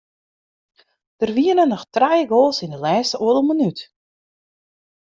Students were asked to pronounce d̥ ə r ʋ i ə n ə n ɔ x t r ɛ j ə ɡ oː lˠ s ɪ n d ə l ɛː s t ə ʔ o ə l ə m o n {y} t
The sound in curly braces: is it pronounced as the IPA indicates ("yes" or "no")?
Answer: yes